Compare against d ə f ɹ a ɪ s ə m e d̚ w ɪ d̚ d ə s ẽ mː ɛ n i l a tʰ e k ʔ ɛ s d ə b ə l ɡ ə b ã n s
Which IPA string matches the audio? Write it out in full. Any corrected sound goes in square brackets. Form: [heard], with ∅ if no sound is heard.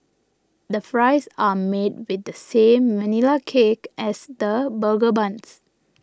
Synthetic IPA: d ə f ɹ a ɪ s [a] m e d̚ w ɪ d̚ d ə s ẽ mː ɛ n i l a [kʰ] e k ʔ ɛ s d ə b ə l ɡ ə b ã n s